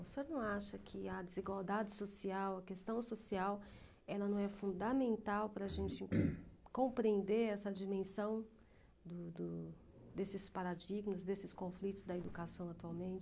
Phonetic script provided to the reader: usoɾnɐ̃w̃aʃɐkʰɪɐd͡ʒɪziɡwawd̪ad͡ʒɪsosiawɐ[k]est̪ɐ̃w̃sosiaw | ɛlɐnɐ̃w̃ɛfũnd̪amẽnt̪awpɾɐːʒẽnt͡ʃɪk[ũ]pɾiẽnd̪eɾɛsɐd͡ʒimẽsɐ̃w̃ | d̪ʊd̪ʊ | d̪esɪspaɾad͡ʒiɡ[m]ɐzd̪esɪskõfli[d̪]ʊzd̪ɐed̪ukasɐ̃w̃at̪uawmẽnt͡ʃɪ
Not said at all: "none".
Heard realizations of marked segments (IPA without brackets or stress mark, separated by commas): k, õ, m, t̪